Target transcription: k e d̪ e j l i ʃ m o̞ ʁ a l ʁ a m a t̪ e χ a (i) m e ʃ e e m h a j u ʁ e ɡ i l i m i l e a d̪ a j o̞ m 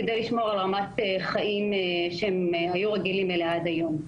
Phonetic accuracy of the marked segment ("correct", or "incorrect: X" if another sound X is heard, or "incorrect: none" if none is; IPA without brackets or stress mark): correct